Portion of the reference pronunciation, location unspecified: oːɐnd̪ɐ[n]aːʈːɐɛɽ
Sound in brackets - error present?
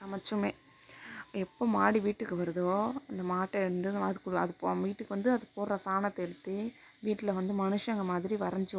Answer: yes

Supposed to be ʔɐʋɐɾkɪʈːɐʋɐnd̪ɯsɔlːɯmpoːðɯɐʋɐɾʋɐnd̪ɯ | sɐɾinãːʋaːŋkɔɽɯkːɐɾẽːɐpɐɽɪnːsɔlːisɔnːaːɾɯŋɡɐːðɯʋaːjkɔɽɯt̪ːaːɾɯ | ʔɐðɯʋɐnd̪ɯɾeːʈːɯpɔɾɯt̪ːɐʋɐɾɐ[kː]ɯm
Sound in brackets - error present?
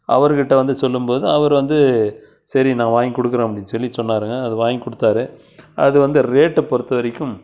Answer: no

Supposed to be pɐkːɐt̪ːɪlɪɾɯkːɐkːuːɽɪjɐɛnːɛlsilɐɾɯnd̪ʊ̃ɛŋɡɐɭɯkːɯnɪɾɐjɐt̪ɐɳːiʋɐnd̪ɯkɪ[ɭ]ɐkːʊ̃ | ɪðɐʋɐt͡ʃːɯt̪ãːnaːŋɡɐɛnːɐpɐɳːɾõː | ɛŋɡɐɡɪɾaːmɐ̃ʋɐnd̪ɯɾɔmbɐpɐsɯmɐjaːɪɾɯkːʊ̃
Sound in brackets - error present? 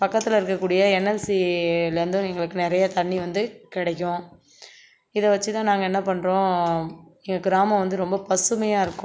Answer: yes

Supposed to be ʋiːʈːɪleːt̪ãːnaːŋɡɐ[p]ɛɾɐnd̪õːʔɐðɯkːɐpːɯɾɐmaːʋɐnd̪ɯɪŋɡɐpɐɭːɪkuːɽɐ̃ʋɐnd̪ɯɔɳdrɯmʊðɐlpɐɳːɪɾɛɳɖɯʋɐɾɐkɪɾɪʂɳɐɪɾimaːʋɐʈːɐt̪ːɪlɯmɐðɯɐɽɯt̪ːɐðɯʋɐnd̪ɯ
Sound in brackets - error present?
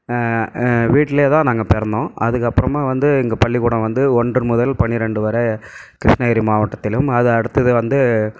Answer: no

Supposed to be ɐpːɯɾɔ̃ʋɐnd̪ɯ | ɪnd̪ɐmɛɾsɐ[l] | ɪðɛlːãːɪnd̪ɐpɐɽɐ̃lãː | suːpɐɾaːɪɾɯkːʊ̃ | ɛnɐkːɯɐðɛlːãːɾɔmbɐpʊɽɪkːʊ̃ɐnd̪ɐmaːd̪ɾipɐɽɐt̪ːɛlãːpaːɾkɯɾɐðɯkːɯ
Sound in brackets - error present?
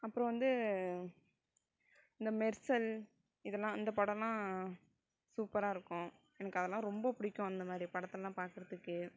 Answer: no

